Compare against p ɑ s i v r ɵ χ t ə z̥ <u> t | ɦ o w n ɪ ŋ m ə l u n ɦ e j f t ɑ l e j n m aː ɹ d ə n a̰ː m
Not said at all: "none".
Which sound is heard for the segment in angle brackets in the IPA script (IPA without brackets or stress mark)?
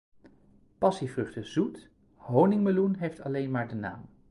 u